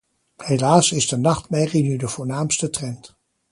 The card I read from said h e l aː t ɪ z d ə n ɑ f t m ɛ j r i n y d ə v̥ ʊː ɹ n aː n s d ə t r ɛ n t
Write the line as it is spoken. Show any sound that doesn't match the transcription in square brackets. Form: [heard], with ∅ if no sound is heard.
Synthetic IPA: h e l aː [s] ɪ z d ə n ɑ [χ] t m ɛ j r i n y d ə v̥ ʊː ɹ n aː [m] s [t] ə t r ɛ n t